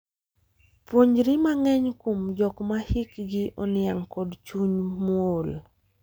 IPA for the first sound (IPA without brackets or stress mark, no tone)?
p